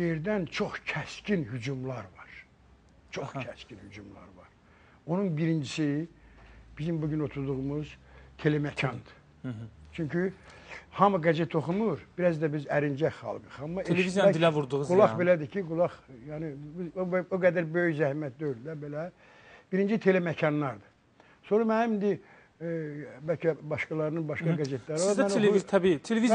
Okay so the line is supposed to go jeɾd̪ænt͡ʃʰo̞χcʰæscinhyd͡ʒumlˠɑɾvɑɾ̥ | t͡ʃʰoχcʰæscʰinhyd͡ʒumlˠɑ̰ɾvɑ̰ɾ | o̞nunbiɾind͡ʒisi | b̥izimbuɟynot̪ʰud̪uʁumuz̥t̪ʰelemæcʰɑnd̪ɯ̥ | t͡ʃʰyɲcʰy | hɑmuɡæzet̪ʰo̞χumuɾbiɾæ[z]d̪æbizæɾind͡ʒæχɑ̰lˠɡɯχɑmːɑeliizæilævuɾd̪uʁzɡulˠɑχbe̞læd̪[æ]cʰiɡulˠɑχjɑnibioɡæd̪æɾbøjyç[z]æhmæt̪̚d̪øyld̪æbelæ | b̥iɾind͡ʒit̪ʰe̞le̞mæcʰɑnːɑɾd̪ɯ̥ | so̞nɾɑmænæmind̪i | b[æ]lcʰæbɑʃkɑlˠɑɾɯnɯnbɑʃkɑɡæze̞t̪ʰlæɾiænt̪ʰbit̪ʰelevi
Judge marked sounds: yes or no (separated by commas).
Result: yes, no, yes, yes